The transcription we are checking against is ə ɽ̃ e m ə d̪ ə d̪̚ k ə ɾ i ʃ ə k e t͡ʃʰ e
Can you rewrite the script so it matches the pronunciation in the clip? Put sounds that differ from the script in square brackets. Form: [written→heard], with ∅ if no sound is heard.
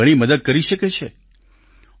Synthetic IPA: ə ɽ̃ [e→i] m ə d̪ ə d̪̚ k ə ɾ i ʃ ə k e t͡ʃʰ e